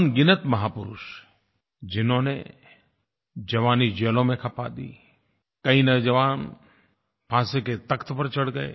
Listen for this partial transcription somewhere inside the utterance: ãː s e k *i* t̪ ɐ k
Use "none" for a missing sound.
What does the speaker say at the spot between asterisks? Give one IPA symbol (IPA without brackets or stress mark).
e